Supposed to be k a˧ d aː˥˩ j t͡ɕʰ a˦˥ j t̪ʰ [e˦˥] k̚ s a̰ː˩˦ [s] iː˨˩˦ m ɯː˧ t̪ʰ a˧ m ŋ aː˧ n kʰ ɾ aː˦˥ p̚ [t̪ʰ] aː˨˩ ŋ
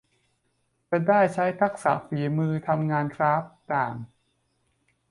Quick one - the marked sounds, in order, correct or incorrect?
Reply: incorrect, incorrect, incorrect

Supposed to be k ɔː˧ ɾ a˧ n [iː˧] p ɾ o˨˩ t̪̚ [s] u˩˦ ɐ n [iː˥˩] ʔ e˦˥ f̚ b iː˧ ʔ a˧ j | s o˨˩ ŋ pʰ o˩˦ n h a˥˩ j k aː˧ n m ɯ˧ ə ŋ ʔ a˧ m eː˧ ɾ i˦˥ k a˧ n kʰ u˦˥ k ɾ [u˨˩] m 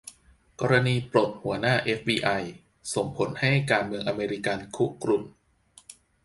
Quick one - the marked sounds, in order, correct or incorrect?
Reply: correct, incorrect, incorrect, correct

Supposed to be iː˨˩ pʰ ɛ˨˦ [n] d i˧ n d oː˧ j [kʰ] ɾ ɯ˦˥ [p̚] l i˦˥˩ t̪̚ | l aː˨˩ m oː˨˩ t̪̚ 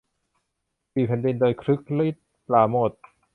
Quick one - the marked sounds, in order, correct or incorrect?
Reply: correct, correct, incorrect

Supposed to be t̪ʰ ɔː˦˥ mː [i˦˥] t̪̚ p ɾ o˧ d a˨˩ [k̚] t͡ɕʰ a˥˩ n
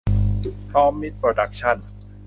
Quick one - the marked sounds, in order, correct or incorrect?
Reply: correct, correct

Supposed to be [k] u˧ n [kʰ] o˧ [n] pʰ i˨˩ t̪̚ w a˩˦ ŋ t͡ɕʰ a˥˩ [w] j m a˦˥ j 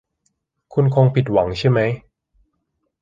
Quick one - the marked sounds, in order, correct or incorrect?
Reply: incorrect, correct, incorrect, incorrect

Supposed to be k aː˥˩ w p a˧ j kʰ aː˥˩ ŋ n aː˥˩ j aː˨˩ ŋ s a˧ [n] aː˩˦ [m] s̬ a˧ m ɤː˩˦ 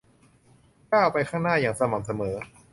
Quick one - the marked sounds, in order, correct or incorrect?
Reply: incorrect, correct

